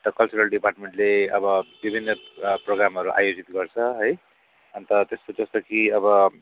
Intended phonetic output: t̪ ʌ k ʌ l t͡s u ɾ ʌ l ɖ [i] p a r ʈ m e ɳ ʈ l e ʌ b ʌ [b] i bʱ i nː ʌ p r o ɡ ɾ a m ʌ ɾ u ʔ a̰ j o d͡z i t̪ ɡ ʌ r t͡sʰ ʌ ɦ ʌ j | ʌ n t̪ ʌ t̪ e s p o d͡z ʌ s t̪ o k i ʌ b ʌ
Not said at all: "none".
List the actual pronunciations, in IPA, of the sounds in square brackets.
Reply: i, b

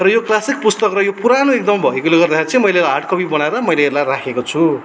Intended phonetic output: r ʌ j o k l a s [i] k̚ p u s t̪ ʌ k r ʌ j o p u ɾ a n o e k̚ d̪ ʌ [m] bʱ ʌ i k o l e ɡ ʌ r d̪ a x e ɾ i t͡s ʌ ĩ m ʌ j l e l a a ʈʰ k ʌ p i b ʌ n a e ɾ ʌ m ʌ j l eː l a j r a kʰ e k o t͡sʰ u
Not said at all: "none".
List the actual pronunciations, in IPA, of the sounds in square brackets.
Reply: i, m

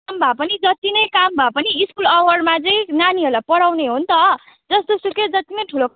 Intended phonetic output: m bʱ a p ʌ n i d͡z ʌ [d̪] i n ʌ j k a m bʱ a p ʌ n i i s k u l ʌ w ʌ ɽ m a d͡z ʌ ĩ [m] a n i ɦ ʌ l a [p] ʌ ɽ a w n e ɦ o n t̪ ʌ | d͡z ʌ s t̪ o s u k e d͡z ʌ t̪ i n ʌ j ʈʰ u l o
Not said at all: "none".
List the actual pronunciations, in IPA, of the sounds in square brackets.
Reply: t̪, n, p

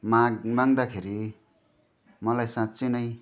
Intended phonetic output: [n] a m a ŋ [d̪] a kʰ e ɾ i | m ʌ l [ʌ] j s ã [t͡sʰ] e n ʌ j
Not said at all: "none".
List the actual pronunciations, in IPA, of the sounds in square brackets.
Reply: m, d̪, a, t͡s

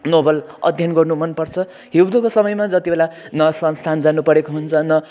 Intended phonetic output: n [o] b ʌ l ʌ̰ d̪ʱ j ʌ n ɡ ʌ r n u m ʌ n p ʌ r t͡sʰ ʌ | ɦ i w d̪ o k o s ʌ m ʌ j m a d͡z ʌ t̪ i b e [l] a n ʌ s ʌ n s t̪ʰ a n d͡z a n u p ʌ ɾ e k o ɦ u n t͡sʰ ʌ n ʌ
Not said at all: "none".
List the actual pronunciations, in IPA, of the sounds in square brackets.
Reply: o, l

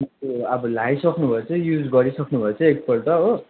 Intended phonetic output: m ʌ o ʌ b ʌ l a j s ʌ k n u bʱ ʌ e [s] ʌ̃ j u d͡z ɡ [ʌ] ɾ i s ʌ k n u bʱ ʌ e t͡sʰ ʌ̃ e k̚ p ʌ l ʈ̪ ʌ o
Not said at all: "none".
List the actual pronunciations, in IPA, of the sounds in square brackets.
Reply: t͡s, ʌ

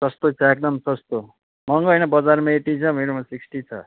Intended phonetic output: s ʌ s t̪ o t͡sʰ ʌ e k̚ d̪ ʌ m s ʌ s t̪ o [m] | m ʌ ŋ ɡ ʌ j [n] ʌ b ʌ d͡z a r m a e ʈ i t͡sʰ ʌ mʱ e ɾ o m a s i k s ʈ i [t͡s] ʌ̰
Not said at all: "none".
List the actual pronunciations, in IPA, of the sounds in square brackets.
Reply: none, n, t͡sʰ

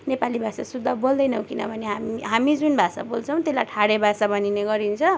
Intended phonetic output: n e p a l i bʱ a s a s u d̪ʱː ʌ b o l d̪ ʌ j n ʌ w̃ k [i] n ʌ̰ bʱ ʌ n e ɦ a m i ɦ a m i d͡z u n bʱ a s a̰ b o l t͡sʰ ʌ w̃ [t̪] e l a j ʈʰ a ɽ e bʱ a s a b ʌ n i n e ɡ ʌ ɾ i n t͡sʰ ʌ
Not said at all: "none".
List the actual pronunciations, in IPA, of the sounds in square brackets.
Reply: i, t̪

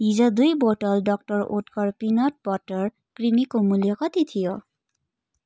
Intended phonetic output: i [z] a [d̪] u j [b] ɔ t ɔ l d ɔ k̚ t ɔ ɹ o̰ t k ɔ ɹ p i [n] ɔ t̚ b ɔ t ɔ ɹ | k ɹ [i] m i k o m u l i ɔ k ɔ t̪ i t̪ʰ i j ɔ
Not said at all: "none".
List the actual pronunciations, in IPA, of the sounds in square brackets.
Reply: z, d̪, b, n, i

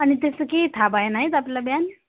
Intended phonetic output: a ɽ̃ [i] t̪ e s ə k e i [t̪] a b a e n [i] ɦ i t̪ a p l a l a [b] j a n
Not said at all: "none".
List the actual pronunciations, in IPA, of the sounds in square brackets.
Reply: i, t̪ʰ, a, b

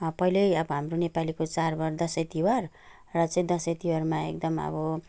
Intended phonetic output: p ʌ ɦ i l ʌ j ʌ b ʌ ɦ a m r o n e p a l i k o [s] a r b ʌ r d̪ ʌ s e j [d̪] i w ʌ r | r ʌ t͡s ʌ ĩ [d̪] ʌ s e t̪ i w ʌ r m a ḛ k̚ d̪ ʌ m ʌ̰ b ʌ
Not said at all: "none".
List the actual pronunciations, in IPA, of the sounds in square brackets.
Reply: t͡s, t̪, d̪

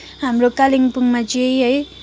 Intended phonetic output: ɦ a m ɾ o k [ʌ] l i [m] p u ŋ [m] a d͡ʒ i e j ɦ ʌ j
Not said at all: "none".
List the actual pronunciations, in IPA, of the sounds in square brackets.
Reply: a, ŋ, m

